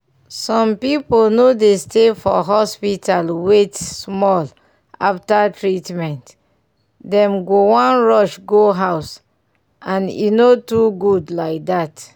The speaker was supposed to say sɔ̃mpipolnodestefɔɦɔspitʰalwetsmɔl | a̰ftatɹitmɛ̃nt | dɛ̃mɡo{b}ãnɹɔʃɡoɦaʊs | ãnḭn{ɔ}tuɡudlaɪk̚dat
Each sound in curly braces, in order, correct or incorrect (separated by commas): incorrect, incorrect